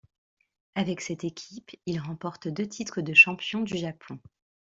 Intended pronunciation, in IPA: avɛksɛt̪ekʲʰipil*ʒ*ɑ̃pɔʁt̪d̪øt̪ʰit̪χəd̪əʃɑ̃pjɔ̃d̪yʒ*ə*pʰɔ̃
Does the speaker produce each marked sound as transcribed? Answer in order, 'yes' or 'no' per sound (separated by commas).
no, no